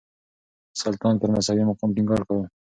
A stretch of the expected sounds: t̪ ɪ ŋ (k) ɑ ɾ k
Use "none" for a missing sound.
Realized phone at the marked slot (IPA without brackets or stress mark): ɡ